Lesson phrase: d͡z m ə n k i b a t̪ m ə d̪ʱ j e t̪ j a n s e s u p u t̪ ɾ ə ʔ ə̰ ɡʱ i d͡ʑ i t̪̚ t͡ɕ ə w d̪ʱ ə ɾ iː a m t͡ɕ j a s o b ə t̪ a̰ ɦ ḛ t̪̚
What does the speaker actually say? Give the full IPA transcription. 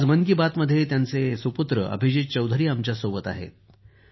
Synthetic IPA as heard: d͡z m ə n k i b a t̪ m ə d̪ʱ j e t̪ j a n t͡s e s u p u t̪ ɾ ə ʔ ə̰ bʱ i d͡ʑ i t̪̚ t͡ɕ ə w d̪ʱ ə ɾ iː a m t͡ɕ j a s o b ə t̪ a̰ ɦ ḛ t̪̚